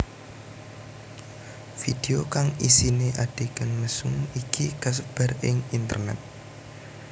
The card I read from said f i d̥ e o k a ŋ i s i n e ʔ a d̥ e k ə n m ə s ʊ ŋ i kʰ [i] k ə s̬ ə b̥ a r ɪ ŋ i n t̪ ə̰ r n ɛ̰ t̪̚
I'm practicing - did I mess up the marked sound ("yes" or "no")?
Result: no